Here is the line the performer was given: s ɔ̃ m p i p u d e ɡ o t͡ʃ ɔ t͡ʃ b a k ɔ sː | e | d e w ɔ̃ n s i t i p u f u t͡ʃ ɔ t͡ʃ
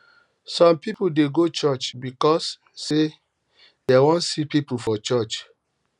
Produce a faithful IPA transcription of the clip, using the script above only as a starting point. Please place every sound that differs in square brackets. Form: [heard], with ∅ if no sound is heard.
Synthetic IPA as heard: s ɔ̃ m p i p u d e ɡ o t͡ʃ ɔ t͡ʃ b [i] k ɔ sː | e | d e w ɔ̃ n s i [p] i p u f [ɔ] t͡ʃ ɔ t͡ʃ